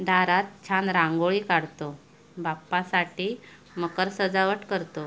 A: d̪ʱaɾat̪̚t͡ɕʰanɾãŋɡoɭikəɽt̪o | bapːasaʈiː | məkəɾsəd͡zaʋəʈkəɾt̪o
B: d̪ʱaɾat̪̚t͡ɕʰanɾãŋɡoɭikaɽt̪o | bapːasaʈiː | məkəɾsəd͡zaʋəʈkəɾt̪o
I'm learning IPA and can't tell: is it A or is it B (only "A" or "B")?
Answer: B